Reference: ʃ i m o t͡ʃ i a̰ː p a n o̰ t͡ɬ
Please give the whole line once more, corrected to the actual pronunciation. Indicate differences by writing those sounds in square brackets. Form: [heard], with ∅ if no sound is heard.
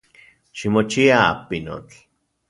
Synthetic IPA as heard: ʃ i m o t͡ʃ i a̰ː p [i] n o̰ t͡ɬ

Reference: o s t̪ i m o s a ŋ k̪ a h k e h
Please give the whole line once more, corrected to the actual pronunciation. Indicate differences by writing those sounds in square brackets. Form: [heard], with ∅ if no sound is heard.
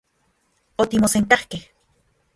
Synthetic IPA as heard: o [∅] t̪ i m o s [e] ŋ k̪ a h k e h

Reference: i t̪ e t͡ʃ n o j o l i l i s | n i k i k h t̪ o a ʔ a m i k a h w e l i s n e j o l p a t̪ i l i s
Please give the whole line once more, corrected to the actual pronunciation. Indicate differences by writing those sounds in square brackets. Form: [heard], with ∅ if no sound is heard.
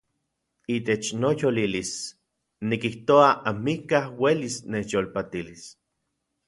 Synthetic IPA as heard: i t̪ e t͡ʃ n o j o l i l i s | n i k i [∅] h t̪ o a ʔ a m i k a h w e l i s n e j o l p a t̪ i l i s

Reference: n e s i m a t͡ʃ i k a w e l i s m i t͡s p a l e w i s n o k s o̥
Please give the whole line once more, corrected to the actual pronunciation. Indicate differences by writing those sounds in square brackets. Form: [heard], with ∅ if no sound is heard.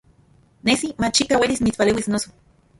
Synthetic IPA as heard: n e s i m a t͡ʃ i k a w e l i s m i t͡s p a l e w i s n o [∅] s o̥

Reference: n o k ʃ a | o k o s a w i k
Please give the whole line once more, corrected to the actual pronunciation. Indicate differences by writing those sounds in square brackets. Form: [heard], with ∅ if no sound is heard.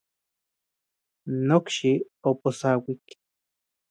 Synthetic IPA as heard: n o k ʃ [i] | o [p] o s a w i k

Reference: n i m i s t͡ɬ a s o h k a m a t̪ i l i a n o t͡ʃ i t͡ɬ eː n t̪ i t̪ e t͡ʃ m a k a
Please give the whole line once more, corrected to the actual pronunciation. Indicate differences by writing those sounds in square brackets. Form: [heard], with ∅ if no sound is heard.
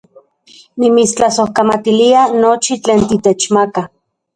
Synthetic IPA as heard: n i m i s t͡ɬ a s o h k a m a t̪ i l i a n o t͡ʃ i t͡ɬ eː n t̪ i t̪ e t͡ʃ m a k a

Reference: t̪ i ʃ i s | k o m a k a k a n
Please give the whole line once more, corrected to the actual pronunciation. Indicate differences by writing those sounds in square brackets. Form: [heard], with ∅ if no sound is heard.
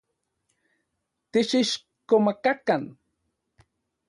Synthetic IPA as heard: t̪ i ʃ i [ʃ] | k o m a k a k a n

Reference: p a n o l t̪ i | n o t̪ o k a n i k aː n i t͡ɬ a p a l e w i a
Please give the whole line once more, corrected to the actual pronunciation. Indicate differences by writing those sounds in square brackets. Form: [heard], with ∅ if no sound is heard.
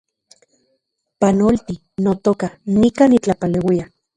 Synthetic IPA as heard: p a n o l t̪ i | n o t̪ o k a n i k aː n i t͡ɬ a p a l e w i a

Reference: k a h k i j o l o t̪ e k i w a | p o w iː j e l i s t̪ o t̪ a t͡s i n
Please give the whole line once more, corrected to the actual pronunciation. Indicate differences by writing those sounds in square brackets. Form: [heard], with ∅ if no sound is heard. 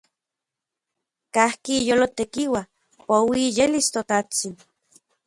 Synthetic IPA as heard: k a h k i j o l o t̪ e k i w a | p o w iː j e l i s t̪ o t̪ a t͡s i n

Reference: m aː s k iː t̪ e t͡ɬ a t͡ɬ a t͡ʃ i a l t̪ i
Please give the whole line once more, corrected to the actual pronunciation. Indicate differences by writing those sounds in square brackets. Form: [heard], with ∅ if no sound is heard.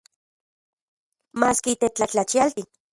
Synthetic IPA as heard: m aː s k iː t̪ e t͡ɬ a t͡ɬ a t͡ʃ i a l t̪ i

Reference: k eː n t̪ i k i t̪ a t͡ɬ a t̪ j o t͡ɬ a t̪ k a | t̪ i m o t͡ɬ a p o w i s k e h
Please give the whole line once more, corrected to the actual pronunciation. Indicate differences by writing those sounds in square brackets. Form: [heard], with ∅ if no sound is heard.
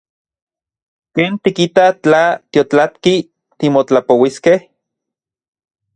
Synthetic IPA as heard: k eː n t̪ i k i t̪ a t͡ɬ a t̪ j o t͡ɬ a t̪ k [i] | t̪ i m o t͡ɬ a p o w i s k e h

